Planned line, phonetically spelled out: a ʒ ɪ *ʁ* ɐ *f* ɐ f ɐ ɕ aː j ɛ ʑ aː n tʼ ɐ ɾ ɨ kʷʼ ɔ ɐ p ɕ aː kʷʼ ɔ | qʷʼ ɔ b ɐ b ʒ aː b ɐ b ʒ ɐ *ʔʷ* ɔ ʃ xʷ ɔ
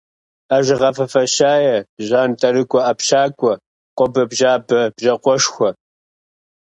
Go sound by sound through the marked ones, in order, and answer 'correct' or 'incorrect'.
correct, correct, incorrect

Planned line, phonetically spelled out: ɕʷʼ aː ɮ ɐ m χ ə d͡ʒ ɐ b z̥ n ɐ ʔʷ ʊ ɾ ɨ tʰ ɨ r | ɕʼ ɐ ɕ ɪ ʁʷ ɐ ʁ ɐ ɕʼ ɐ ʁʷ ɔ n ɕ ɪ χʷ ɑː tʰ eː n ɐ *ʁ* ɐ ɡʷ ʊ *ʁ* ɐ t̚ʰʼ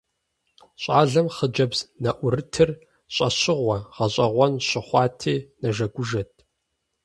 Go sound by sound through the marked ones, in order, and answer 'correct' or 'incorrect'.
incorrect, incorrect

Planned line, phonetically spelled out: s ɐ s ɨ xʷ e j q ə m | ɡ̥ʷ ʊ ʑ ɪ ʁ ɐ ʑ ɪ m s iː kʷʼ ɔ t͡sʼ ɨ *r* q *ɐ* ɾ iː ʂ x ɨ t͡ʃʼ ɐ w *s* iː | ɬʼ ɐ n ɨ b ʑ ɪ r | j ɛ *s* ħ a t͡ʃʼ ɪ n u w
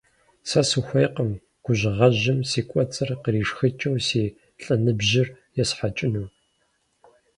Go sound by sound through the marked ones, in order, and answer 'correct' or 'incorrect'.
correct, incorrect, correct, correct

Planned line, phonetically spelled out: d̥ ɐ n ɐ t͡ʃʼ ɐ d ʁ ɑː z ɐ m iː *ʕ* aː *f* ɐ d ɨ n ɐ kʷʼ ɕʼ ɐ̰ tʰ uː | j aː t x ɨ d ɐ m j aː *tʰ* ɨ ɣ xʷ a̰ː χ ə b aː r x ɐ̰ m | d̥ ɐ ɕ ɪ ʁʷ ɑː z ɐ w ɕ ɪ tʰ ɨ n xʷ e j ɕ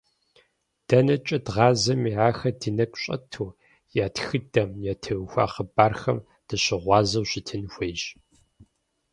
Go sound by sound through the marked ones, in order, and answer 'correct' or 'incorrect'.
correct, incorrect, correct

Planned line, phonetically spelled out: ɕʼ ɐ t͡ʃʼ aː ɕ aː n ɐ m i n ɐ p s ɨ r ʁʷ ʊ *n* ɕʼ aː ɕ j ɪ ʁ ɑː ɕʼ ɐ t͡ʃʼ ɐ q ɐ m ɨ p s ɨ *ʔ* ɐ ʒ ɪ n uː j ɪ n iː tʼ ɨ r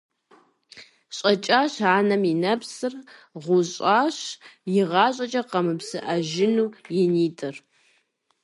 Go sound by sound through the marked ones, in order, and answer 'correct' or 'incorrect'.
incorrect, correct

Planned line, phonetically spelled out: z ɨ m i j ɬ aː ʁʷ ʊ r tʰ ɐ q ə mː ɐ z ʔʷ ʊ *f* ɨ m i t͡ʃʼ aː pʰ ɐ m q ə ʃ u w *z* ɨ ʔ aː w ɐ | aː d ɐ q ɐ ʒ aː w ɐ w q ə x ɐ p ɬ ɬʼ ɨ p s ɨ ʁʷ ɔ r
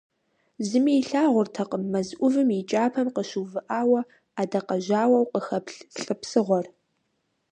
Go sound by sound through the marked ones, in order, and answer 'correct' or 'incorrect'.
incorrect, incorrect

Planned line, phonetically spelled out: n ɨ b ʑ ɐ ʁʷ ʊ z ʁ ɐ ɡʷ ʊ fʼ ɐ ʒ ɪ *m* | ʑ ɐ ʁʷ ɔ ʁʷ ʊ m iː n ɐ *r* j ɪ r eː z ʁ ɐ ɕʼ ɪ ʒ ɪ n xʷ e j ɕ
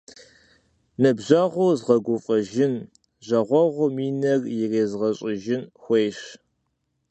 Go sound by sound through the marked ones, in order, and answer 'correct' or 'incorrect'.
incorrect, correct

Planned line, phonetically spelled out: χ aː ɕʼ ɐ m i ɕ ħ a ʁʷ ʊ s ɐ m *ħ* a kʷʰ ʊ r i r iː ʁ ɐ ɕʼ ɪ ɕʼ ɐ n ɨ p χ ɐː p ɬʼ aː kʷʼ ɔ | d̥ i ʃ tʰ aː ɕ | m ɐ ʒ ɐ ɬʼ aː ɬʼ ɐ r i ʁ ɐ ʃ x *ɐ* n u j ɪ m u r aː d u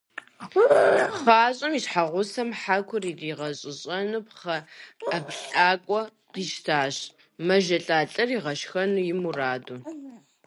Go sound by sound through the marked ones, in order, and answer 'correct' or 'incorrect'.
correct, correct

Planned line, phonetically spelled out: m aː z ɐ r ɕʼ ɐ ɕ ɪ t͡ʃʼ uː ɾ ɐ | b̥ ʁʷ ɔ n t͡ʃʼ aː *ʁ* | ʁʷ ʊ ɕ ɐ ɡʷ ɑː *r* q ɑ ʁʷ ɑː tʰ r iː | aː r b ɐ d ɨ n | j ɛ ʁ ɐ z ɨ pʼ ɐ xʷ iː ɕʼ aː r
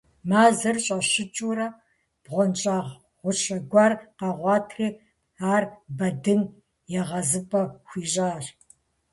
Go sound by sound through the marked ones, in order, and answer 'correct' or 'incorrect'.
correct, correct

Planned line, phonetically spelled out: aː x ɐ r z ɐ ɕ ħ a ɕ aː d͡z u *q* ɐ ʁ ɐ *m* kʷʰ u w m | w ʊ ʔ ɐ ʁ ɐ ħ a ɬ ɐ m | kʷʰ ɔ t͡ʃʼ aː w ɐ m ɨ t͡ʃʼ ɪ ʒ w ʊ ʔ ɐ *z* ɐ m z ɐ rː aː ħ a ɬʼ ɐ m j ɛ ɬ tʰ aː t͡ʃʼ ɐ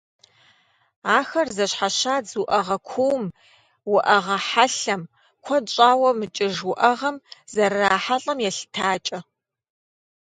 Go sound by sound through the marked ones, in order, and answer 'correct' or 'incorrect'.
incorrect, incorrect, incorrect

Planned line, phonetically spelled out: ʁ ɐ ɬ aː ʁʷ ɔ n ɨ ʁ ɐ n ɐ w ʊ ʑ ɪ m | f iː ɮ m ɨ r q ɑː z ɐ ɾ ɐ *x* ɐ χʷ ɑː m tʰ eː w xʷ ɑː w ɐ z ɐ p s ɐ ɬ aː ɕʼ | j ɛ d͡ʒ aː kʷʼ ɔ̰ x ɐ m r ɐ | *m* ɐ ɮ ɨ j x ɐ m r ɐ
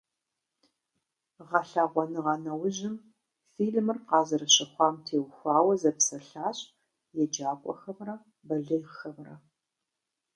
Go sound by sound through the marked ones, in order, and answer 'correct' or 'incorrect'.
incorrect, incorrect

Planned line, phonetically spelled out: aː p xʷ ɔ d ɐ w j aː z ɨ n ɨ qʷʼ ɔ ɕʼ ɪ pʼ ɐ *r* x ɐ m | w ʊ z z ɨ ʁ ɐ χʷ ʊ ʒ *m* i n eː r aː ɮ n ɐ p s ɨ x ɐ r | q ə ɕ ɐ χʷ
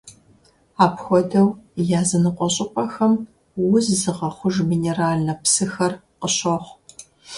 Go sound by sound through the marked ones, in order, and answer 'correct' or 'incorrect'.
incorrect, correct

